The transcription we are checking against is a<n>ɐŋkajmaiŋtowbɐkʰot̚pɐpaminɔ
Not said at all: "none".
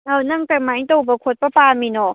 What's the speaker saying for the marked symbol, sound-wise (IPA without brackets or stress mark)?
n